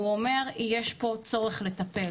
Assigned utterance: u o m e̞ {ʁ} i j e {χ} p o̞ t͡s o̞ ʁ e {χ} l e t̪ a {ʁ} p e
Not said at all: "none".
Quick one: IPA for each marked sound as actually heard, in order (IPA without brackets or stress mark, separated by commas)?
ʁ, ʃ, χ, none